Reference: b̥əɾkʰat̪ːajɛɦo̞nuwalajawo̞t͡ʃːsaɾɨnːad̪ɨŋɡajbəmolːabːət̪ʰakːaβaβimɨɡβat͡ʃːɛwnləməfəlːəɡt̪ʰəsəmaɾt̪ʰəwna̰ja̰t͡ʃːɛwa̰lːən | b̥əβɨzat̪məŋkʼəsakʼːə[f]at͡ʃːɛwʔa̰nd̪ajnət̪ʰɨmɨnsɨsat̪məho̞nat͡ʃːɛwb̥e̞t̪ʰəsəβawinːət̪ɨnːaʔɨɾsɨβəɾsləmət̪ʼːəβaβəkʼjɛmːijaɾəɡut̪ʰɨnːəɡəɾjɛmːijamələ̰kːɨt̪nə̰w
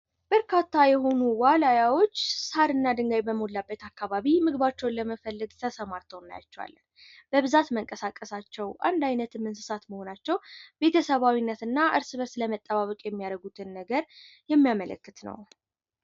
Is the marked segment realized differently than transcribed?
yes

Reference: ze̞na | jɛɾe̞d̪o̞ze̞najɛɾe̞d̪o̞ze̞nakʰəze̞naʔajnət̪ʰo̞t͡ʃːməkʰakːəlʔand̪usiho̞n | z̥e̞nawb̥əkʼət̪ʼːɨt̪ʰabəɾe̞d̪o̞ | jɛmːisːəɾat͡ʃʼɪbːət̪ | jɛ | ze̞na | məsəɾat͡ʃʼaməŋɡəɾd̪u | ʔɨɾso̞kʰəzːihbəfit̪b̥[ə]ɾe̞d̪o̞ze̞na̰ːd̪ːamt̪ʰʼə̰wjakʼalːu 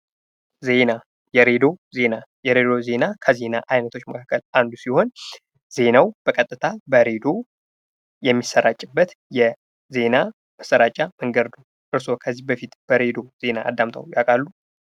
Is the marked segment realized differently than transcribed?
no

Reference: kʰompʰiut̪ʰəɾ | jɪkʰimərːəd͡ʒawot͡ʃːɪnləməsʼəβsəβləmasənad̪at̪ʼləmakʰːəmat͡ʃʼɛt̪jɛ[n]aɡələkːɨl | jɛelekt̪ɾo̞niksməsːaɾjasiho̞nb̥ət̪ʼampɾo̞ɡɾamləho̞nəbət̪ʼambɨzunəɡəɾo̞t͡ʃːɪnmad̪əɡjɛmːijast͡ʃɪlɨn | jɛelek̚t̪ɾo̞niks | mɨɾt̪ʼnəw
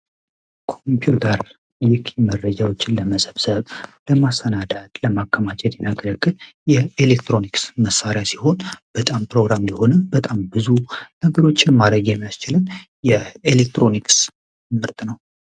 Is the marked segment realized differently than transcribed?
no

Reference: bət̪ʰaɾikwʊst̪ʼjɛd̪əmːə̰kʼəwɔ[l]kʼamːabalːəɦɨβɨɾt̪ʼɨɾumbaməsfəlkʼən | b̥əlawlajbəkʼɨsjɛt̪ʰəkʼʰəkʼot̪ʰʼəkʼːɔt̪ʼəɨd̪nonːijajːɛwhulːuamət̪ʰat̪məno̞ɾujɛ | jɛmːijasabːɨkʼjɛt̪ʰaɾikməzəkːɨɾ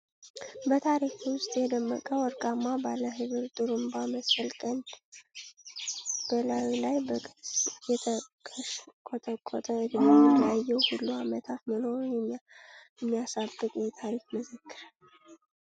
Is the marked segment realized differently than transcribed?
yes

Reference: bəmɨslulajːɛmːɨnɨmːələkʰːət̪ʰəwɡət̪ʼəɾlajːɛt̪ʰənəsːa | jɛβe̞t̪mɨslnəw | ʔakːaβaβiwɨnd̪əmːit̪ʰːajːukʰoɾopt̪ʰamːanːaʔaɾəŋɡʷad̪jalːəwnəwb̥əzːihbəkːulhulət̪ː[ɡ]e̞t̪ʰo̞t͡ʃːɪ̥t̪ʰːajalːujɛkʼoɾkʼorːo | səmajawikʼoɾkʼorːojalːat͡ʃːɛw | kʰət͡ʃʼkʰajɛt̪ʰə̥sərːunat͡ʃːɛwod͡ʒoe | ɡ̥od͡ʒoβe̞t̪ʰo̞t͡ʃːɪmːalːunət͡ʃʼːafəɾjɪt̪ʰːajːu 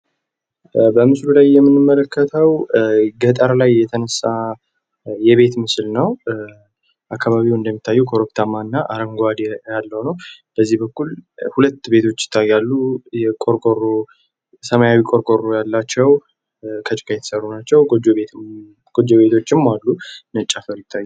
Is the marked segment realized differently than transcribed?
yes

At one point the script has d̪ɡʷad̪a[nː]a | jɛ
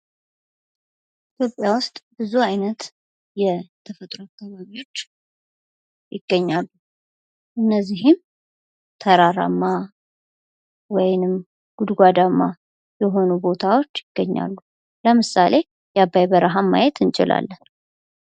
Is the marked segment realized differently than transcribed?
yes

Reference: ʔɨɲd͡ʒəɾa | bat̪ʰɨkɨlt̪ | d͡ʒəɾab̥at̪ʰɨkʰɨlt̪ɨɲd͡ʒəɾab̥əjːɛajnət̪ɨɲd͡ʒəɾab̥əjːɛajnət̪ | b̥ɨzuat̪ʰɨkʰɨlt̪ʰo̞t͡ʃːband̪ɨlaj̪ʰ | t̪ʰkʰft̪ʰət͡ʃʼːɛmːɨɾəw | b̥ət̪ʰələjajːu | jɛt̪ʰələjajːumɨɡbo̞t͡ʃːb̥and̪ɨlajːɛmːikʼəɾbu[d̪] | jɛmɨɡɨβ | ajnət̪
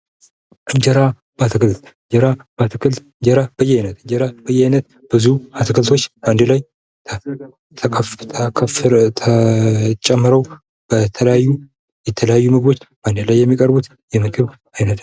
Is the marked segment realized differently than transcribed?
yes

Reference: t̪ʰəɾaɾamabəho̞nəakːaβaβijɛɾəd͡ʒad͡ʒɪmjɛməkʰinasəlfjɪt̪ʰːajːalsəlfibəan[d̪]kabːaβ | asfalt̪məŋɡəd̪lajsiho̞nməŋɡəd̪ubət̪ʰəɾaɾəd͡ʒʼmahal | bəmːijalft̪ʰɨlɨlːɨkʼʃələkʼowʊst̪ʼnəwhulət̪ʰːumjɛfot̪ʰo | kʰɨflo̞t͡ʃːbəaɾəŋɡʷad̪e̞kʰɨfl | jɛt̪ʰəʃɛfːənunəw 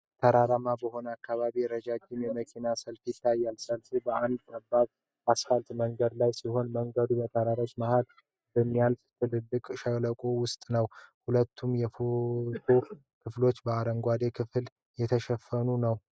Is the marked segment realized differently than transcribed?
no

